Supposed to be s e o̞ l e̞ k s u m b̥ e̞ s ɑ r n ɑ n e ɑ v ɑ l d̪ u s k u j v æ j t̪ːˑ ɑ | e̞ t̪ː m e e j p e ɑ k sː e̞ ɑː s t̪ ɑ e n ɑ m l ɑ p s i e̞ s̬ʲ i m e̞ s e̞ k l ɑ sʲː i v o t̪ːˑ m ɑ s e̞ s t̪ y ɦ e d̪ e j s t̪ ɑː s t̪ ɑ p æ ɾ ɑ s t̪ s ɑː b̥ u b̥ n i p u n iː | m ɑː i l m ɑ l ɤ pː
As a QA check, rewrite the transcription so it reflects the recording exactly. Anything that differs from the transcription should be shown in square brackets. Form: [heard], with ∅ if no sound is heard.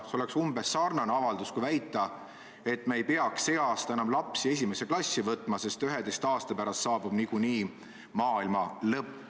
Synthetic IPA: s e o̞ l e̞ k s u m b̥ e̞ s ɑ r n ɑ n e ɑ v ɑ l d̪ u s k u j v æ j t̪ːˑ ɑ | e̞ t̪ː m e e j p e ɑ k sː e̞ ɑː s t̪ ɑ e n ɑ m l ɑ p s i e̞ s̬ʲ i m e̞ s e̞ k l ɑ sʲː i v [ɤ] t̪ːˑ m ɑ s e̞ s t̪ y ɦ e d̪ e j s t̪ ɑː s t̪ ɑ p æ ɾ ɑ s t̪ s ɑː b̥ u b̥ n i [k] u n iː | m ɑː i l m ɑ l ɤ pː